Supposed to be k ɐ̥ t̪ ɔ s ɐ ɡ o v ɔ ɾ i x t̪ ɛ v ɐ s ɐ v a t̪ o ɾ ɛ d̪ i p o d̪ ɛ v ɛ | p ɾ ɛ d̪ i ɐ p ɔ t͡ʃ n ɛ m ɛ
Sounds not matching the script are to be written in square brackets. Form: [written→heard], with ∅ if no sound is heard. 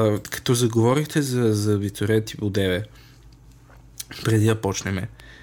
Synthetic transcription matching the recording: k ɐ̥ t̪ ɔ [s→z] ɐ ɡ o v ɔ ɾ i x t̪ ɛ [v→z] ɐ [s→z] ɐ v [a→i] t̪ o ɾ ɛ [d̪→t̪] i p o d̪ ɛ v ɛ | p ɾ ɛ d̪ i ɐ p ɔ t͡ʃ n ɛ m ɛ